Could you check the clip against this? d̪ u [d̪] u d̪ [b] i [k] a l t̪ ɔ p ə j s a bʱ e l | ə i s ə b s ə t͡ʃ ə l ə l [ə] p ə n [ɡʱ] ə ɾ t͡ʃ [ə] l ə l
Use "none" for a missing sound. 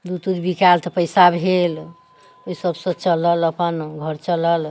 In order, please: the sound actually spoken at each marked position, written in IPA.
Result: t̪, b, k, ə, ɡʱ, ə

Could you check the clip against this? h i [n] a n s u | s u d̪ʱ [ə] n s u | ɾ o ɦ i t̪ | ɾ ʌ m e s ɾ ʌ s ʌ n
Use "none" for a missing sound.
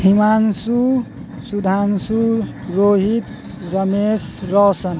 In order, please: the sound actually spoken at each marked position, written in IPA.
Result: m, a

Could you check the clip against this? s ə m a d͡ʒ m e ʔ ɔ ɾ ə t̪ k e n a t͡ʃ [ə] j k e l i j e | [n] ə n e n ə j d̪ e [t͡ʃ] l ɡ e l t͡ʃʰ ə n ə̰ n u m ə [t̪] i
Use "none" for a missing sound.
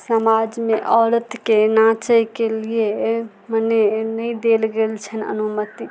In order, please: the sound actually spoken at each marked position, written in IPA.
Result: ə, m, none, t̪

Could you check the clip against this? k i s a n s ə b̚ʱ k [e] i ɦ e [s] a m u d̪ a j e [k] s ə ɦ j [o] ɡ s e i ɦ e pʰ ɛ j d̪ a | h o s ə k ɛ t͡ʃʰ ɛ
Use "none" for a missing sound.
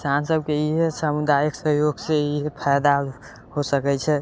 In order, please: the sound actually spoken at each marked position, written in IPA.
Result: e, s, k, o

